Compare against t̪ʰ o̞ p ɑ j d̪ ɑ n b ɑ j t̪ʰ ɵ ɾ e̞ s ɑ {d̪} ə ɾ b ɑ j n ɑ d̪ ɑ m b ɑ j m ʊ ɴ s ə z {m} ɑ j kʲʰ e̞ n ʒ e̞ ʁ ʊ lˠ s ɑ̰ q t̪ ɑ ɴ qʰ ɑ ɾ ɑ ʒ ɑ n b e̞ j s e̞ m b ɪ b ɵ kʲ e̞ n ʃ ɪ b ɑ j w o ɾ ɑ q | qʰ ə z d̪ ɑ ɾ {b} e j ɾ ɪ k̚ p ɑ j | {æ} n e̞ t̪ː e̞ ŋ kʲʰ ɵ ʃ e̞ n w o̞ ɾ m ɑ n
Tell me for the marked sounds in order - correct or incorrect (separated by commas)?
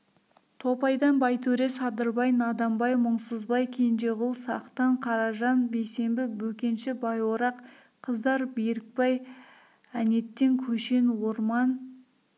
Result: correct, incorrect, correct, correct